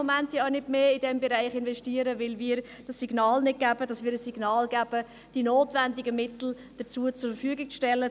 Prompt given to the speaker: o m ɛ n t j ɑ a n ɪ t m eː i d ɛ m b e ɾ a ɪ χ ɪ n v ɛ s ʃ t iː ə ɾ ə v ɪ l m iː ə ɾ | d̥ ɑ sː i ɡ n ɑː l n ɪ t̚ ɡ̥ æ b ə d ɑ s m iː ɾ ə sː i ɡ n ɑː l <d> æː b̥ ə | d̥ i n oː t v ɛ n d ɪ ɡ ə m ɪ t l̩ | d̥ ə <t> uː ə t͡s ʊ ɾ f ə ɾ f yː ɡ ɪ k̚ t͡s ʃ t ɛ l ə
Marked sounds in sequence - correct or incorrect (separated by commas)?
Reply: incorrect, incorrect